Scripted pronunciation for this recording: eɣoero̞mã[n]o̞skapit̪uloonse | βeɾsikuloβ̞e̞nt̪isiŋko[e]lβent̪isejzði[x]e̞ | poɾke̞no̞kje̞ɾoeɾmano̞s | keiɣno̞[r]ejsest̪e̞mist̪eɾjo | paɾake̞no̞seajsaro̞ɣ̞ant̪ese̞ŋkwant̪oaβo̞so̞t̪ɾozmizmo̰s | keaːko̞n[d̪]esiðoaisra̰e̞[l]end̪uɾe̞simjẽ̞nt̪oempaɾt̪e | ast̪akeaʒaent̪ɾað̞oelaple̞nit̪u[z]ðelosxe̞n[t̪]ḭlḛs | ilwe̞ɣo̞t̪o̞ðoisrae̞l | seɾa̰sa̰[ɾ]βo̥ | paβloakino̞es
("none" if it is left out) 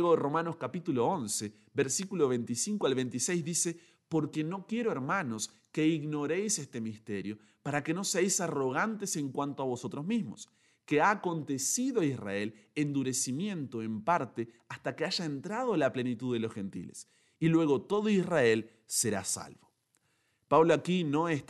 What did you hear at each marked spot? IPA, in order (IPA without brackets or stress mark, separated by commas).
n, a, s, ɾ, t̪, l, ð, t̪, l